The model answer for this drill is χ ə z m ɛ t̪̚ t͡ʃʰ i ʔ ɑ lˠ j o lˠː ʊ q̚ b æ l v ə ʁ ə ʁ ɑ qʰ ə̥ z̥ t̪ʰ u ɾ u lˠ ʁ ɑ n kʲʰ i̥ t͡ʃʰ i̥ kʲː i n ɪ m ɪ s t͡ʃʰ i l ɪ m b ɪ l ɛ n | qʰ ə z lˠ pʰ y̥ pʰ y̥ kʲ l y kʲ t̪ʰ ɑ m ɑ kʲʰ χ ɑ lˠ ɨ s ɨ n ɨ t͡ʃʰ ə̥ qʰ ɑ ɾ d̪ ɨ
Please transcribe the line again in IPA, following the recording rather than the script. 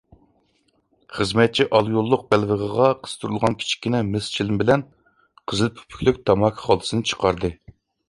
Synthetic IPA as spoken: χ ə z m ɛ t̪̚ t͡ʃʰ i ʔ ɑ lˠ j o lˠː ʊ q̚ b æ l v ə ʁ ə ʁ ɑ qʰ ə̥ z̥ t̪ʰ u ɾ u lˠ ʁ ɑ n kʲʰ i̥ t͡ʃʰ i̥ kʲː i n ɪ m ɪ s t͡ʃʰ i l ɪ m b ɪ l ɛ n | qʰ ə z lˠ pʰ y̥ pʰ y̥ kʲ l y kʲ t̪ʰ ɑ m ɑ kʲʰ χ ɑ lˠ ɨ s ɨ n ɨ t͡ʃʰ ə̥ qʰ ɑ ɾ d̪ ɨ